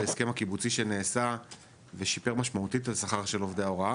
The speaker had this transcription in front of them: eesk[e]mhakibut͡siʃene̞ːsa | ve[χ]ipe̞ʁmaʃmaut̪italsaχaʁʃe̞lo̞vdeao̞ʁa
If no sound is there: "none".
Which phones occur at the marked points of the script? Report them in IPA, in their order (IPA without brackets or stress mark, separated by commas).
e, ʃ